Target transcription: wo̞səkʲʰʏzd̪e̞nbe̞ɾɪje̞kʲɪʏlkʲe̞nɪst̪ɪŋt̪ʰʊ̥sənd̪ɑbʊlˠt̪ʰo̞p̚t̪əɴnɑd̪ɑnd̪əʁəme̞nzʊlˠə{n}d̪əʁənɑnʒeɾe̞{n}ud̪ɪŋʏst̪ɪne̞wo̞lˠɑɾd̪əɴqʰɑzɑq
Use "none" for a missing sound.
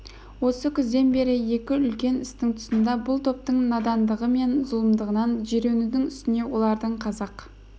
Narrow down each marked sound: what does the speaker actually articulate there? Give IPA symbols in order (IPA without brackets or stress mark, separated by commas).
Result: m, n